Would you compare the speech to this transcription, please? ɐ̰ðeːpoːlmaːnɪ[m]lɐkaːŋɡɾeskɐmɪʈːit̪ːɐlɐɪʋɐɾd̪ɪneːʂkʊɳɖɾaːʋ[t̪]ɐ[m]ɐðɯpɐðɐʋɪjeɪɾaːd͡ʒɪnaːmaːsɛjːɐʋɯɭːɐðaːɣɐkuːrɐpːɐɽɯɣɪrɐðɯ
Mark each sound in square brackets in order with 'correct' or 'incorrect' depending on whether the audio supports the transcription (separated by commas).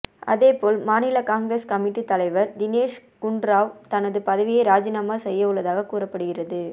incorrect, correct, incorrect